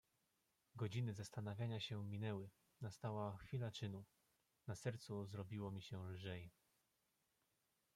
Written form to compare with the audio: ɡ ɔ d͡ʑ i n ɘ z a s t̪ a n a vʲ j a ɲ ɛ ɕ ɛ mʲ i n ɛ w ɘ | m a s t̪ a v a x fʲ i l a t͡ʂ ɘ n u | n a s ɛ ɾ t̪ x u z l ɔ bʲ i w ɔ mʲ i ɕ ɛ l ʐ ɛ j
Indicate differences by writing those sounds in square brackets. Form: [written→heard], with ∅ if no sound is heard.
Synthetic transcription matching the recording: ɡ ɔ d͡ʑ i n ɘ z a s t̪ a n a vʲ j a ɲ [ɛ→a] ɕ ɛ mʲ i n ɛ w ɘ | [m→n] a s t̪ a [v→w] a x fʲ i l a t͡ʂ ɘ n u | n a s ɛ ɾ t̪ [x→s] u z [l→ɾ] ɔ bʲ i w ɔ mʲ i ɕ ɛ l ʐ ɛ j

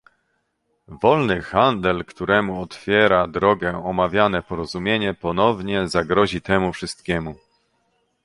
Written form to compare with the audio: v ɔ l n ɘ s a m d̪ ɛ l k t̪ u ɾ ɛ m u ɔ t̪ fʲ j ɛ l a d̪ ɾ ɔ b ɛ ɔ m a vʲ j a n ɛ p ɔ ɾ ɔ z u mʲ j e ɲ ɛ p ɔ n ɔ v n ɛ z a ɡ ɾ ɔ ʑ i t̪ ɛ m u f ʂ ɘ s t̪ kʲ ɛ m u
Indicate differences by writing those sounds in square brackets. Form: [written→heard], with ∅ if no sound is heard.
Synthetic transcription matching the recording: v ɔ l n ɘ [s→x] a [m→n] d̪ ɛ l k t̪ u ɾ ɛ m u ɔ t̪ fʲ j ɛ [l→ɾ] a d̪ ɾ ɔ [b→ɡ] ɛ ɔ m a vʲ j a n ɛ p ɔ ɾ ɔ z u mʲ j e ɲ ɛ p ɔ n ɔ v [n→ɲ] ɛ z a ɡ ɾ ɔ ʑ i t̪ ɛ m u f ʂ ɘ s t̪ kʲ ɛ m u

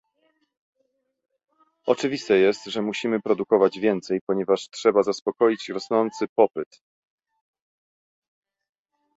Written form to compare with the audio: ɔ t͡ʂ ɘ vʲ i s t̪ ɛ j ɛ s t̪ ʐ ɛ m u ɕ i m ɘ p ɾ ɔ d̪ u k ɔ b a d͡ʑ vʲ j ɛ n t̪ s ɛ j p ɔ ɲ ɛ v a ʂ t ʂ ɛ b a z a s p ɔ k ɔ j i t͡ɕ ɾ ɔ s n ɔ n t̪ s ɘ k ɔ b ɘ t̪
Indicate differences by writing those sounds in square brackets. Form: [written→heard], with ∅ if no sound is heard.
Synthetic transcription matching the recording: ɔ t͡ʂ ɘ vʲ i s t̪ ɛ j ɛ s t̪ ʐ ɛ m u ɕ i m ɘ p ɾ ɔ d̪ u k ɔ [b→v] a d͡ʑ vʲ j ɛ n t̪ s ɛ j p ɔ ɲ ɛ v a ʂ t ʂ ɛ b a z a s p ɔ k ɔ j i t͡ɕ ɾ ɔ s n ɔ n t̪ s ɘ [k→p] ɔ [b→p] ɘ t̪

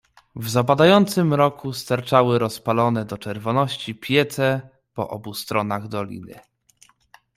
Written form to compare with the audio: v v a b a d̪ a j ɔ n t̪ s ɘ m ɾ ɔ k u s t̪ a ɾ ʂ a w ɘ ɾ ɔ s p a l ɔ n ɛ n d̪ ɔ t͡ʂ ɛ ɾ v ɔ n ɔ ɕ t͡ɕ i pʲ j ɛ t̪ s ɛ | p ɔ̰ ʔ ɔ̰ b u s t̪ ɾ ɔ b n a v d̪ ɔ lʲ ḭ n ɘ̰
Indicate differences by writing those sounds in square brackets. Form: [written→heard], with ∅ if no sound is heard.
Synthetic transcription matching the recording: v [v→z] a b a d̪ a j ɔ n t̪ s ɘ m ɾ ɔ k u s t̪ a ɾ [ʂ→t͡ʂ] a w ɘ ɾ ɔ s p a l ɔ n ɛ [n→∅] d̪ ɔ t͡ʂ ɛ ɾ v ɔ n ɔ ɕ t͡ɕ i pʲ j ɛ t̪ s ɛ | p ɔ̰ ʔ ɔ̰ b u s t̪ ɾ ɔ [b→∅] n a [v→ɣ] d̪ ɔ lʲ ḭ n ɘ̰

